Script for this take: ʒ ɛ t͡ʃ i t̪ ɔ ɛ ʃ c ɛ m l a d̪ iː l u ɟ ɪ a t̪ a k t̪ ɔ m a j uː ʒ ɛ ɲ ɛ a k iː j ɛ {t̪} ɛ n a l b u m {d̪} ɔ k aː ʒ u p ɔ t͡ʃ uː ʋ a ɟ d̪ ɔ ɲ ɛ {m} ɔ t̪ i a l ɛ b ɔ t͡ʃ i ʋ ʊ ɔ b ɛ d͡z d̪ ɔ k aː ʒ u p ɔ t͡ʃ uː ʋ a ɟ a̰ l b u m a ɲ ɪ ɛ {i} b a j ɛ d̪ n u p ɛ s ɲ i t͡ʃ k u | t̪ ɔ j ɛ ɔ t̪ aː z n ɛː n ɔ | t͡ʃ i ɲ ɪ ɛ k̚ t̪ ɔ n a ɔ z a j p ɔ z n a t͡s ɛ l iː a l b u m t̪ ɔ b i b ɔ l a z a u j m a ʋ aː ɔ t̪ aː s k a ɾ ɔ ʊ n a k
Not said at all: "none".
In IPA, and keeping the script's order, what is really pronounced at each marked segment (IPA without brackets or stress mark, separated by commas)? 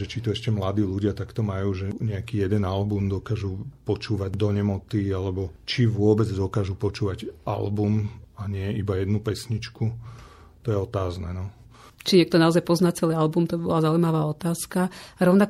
d̪, d̪, m, i